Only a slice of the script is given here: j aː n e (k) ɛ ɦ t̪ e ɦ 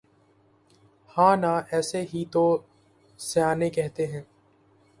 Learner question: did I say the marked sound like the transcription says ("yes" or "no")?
yes